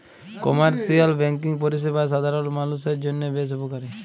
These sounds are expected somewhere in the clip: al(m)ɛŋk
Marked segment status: incorrect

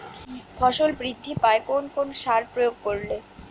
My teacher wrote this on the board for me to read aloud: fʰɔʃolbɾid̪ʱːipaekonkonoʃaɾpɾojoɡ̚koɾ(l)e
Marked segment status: correct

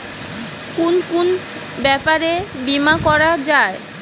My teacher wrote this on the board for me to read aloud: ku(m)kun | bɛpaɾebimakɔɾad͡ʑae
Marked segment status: incorrect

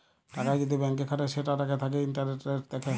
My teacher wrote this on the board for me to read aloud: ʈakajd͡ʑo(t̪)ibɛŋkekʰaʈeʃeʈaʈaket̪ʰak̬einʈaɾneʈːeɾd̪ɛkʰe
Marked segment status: incorrect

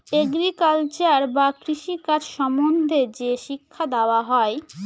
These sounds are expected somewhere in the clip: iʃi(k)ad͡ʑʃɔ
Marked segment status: correct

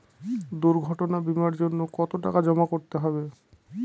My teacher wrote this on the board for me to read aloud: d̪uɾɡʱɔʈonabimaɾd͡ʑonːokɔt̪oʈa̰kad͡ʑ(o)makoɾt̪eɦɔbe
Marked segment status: incorrect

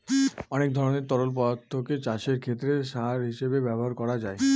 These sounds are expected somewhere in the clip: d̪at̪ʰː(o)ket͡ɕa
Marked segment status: correct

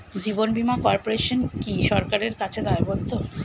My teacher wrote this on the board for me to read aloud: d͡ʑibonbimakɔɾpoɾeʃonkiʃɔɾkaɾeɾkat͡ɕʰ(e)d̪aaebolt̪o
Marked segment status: correct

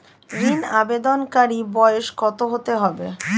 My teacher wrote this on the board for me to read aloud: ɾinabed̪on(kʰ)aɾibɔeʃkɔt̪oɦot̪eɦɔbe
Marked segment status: incorrect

